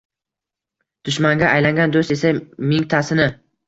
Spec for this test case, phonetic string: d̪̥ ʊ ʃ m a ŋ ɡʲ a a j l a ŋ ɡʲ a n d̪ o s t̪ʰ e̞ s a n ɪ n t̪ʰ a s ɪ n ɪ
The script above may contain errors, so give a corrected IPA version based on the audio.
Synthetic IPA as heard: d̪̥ ʊ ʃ m a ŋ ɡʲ a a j l a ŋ ɡʲ a n d̪ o s t̪ e̞ s a m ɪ ŋ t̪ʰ a s ɪ n ɪ